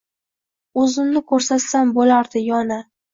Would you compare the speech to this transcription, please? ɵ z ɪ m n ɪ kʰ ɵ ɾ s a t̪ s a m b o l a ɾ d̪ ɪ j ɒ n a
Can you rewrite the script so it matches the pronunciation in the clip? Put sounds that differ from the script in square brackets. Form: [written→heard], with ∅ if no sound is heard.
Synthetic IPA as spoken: ɵ z ɪ m n ɪ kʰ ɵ ɾ s a t̪ s a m b o l a ɾ d̪ ɪ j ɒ n a